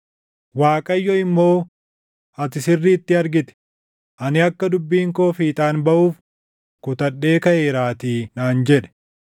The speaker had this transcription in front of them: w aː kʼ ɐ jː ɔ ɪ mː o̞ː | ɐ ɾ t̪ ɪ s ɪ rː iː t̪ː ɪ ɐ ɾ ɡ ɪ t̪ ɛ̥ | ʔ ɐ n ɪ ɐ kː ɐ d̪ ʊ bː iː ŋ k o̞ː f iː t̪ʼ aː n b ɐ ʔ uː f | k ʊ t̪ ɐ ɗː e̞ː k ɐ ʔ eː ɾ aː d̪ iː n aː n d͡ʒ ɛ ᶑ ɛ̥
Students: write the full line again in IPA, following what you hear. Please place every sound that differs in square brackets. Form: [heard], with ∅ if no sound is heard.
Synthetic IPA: w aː kʼ ɐ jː ɔ ɪ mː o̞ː | ɐ [∅] t̪ ɪ s ɪ rː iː t̪ː ɪ ɐ ɾ ɡ ɪ t̪ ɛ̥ | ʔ ɐ n ɪ ɐ kː ɐ d̪ ʊ bː iː ŋ k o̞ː f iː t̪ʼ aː n b ɐ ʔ uː f | k ʊ t̪ ɐ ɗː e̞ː k ɐ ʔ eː ɾ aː [t̪] iː n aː n d͡ʒ ɛ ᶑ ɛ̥